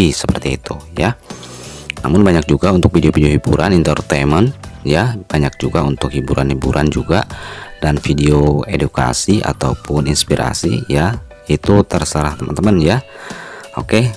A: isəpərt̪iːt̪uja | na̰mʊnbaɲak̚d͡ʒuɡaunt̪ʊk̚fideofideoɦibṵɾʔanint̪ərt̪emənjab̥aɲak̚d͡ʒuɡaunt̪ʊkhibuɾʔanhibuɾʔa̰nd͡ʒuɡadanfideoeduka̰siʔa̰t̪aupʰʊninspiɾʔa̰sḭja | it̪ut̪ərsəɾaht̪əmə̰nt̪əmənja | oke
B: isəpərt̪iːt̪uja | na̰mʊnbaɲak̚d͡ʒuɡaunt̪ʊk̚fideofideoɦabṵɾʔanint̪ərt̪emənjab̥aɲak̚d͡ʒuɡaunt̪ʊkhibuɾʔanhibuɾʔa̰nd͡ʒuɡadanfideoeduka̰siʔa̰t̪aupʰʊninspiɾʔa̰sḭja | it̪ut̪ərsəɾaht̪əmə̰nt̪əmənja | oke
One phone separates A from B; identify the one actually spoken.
A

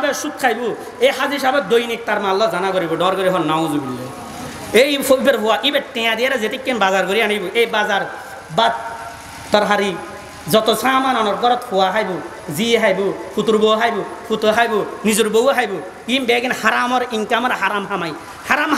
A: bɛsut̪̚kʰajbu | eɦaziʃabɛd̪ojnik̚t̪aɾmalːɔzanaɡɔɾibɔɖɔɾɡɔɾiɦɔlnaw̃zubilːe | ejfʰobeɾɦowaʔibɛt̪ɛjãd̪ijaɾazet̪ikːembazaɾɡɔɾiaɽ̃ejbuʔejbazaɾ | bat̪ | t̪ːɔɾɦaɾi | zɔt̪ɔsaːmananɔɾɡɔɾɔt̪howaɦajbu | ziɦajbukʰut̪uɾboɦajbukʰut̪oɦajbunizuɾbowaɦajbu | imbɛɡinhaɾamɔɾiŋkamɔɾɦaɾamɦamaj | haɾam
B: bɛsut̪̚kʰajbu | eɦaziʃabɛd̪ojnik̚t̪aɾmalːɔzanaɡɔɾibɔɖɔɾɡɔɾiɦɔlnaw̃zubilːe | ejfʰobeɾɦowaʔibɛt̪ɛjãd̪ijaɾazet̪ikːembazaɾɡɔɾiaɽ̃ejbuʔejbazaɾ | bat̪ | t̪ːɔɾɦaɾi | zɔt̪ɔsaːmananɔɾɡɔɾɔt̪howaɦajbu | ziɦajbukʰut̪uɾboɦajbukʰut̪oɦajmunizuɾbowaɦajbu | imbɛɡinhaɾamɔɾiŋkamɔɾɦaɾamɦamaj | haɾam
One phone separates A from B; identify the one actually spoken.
A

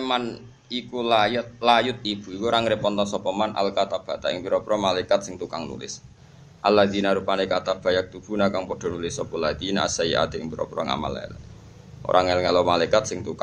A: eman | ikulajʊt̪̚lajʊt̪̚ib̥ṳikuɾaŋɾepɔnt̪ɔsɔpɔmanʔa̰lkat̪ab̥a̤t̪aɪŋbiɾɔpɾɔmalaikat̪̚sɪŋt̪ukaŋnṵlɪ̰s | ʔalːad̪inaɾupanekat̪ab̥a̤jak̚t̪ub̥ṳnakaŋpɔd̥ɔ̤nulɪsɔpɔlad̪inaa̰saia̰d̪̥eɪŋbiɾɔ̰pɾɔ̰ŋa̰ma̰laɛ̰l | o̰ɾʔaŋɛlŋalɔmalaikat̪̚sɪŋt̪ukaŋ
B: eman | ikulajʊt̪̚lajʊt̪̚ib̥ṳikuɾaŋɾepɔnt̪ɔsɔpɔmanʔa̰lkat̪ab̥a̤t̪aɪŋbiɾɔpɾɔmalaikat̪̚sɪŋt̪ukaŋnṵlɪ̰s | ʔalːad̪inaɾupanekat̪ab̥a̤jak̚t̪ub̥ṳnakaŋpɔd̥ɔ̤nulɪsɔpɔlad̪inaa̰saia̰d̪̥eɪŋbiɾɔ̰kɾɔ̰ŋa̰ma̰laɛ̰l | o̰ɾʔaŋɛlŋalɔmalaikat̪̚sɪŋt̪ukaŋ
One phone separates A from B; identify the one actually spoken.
A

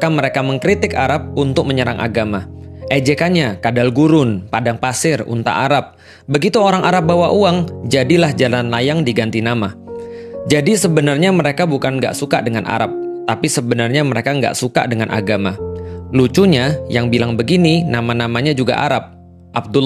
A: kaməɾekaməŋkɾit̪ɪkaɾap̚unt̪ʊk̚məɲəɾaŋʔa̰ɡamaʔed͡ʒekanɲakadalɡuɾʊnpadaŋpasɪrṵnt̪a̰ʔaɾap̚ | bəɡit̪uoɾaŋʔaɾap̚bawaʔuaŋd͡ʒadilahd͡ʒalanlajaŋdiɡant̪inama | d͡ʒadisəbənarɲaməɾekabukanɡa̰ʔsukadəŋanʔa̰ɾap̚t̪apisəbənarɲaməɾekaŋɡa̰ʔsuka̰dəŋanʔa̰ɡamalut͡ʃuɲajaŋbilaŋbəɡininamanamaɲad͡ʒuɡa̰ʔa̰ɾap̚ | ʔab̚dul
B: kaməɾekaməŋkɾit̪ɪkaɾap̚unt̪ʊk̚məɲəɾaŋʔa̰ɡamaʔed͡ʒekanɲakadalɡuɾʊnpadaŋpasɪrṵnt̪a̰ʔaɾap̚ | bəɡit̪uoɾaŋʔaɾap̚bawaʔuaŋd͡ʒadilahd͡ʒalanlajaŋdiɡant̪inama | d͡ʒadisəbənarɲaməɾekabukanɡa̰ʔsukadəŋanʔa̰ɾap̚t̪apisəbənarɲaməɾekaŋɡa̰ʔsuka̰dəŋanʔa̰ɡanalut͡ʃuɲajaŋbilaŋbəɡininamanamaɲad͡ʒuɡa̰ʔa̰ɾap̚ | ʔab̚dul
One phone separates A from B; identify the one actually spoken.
A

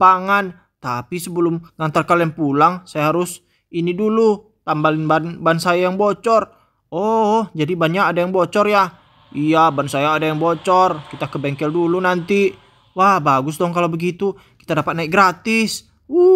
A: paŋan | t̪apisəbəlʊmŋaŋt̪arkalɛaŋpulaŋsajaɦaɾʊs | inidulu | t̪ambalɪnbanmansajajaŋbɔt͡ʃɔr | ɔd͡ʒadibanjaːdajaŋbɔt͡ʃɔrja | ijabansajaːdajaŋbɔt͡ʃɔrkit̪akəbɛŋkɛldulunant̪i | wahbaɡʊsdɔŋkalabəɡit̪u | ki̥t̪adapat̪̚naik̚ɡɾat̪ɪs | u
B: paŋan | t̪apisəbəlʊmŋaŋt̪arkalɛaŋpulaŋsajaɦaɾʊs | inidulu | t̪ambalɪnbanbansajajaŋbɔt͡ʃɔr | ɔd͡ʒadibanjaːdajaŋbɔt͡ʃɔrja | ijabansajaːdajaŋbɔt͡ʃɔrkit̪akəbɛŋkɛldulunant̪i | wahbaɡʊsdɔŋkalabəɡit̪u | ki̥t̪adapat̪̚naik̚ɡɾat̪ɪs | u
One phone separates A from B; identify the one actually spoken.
B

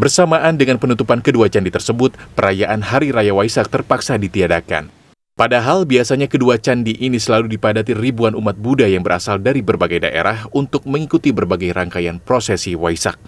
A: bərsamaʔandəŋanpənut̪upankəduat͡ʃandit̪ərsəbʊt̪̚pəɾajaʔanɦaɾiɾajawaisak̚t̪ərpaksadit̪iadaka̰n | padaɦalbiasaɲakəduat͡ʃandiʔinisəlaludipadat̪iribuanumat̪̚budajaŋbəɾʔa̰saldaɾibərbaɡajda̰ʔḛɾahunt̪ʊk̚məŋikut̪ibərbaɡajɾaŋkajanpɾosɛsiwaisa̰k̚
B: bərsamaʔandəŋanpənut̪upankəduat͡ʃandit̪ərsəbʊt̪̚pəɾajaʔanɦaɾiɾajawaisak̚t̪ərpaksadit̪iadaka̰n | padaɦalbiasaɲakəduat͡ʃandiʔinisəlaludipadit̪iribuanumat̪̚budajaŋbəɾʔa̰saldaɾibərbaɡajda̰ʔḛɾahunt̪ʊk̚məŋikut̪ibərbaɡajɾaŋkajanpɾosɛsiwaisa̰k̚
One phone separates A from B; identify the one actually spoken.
A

